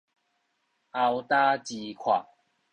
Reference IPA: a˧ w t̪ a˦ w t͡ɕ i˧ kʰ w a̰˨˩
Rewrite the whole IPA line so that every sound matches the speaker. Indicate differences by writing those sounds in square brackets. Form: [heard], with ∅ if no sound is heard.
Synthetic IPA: a˧ w t̪ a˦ [∅] t͡ɕ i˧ kʰ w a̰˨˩